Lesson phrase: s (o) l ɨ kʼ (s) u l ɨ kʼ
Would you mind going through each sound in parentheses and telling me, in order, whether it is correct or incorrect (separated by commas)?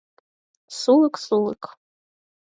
incorrect, correct